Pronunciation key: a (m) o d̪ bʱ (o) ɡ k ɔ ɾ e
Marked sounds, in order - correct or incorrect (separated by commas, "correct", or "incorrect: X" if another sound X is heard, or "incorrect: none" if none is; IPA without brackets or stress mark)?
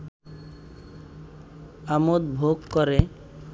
correct, correct